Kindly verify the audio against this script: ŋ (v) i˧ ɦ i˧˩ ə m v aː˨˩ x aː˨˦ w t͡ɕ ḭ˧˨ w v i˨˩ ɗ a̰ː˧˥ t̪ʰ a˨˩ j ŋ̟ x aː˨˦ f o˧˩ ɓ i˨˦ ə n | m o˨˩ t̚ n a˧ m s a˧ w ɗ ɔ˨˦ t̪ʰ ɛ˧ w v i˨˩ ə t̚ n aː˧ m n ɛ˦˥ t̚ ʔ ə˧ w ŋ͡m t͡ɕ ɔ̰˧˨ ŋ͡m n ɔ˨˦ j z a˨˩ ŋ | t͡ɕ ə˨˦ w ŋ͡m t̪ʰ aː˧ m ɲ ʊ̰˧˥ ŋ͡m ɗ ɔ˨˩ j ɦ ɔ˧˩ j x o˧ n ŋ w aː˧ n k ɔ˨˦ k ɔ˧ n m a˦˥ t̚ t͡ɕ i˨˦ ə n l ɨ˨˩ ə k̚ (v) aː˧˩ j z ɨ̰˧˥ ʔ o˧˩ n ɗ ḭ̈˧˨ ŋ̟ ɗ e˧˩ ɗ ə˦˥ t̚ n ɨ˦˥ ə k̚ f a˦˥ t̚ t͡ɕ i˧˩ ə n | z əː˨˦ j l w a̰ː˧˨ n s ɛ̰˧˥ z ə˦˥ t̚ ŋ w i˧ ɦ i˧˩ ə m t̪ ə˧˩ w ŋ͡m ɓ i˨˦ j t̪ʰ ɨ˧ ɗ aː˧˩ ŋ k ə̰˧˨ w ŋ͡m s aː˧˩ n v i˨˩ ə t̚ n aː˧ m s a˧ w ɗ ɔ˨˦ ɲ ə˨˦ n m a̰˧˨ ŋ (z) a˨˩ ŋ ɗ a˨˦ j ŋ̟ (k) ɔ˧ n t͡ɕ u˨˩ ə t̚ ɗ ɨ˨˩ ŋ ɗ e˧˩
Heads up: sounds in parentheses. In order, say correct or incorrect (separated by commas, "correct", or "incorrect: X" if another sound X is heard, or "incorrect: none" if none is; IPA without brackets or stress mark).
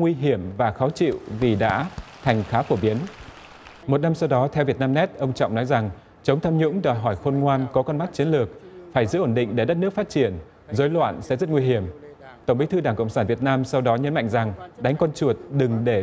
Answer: incorrect: w, incorrect: f, correct, correct